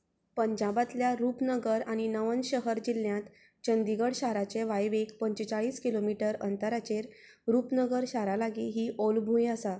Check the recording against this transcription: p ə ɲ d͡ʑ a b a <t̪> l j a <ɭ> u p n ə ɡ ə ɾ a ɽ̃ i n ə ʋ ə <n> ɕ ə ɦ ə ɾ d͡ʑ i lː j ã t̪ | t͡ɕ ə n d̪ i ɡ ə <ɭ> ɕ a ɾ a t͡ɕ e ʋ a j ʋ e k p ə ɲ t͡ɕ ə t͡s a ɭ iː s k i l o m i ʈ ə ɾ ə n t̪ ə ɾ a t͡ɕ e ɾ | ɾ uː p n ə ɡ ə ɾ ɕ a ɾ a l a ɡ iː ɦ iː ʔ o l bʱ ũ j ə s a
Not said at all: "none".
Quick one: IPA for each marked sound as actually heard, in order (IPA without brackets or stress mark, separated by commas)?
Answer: t̪, ɾ, n, ɽ